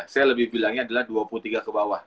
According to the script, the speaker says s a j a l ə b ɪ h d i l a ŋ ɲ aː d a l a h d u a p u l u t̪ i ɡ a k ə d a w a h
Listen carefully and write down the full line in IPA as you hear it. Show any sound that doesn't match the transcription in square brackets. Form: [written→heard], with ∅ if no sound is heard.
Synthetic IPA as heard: s a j a l ə b ɪ h [d→b] i l a ŋ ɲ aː d a l a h d u a p u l u t̪ i ɡ a k ə [d→b] a w a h